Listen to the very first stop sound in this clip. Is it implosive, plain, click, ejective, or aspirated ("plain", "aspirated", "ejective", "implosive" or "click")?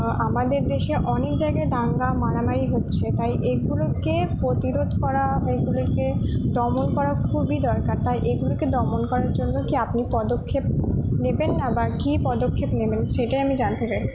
plain